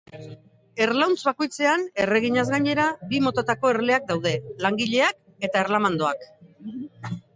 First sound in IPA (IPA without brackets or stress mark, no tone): e̞